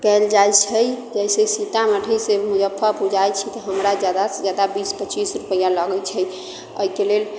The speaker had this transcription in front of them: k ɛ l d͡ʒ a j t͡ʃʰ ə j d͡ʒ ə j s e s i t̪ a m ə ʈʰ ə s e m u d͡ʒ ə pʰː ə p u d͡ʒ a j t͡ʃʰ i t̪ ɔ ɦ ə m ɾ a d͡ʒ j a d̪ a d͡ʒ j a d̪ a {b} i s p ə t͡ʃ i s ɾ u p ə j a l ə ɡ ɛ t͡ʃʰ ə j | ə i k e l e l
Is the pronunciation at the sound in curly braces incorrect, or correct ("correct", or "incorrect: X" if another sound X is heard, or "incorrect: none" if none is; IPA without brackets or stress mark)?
correct